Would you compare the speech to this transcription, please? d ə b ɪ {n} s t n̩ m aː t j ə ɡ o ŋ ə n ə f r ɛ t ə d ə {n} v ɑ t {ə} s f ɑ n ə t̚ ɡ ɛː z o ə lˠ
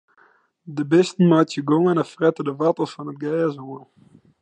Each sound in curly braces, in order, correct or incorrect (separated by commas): incorrect, incorrect, correct